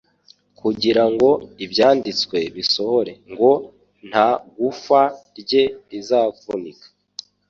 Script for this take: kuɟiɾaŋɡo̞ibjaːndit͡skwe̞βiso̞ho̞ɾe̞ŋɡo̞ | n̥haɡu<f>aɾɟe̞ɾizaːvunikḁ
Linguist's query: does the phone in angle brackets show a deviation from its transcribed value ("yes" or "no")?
no